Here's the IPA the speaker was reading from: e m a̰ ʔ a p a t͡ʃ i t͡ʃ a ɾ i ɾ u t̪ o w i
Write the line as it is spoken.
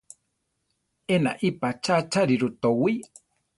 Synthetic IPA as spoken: e n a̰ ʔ i p a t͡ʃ a t͡ʃ a ɾ i ɾ u t̪ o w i